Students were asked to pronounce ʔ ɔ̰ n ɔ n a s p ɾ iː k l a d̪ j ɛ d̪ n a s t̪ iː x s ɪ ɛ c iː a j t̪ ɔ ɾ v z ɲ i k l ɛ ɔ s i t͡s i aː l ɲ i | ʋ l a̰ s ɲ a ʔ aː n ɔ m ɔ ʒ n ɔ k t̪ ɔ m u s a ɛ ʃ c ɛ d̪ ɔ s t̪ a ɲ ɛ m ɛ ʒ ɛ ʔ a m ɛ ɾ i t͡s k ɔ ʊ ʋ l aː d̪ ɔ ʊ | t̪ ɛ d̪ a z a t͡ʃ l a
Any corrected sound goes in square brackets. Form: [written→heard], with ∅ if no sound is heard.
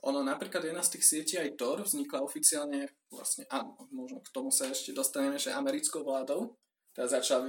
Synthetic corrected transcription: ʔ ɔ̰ n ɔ n a [s→∅] p ɾ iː k l a d̪ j ɛ d̪ n a s t̪ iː x s ɪ ɛ c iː a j t̪ ɔ ɾ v z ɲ i k l [ɛ→a] ɔ [s→f] i t͡s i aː l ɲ [i→ɛ] | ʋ l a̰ s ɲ [a→ɛ] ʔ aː n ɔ m ɔ ʒ n ɔ k t̪ ɔ m u s a ɛ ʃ c ɛ d̪ ɔ s t̪ a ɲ ɛ m ɛ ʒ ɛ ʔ a m ɛ ɾ i t͡s k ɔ ʊ ʋ l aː d̪ ɔ ʊ | t̪ ɛ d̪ a z a t͡ʃ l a